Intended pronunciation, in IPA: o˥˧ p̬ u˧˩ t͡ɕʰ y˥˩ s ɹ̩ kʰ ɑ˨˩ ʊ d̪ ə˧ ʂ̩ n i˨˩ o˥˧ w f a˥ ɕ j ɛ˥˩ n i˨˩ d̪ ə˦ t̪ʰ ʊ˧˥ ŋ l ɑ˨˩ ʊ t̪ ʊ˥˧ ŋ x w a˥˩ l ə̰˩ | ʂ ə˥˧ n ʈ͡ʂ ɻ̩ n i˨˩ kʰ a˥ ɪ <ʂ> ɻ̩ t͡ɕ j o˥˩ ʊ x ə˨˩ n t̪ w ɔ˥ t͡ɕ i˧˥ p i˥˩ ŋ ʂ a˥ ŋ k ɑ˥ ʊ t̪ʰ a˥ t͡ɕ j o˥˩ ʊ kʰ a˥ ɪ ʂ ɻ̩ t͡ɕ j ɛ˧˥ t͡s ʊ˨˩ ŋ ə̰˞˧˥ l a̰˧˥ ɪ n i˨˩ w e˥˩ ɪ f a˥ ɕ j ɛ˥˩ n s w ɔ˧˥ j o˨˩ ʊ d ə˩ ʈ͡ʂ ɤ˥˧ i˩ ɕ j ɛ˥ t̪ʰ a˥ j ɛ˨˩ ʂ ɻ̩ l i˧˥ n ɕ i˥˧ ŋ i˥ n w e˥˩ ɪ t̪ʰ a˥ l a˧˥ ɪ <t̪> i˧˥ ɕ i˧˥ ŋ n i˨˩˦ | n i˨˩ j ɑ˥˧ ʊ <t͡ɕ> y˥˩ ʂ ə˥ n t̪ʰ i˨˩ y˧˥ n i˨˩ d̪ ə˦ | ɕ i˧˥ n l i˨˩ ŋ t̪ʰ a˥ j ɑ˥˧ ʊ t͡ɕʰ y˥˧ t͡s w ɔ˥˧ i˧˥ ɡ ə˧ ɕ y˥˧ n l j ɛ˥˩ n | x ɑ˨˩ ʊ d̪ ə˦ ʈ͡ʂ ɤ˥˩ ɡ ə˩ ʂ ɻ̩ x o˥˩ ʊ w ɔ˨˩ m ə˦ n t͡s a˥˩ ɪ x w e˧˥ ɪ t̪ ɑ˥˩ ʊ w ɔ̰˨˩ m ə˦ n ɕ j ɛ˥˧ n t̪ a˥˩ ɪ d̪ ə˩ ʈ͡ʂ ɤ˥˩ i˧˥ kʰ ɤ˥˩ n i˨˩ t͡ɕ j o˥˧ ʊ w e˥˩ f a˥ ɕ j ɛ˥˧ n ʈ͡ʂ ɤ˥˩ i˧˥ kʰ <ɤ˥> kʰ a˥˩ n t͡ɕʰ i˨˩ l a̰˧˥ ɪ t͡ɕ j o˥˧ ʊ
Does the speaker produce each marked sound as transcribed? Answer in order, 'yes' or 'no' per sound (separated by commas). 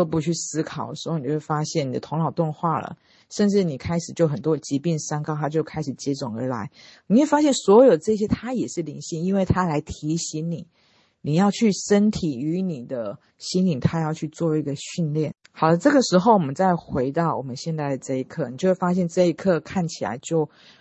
yes, no, no, no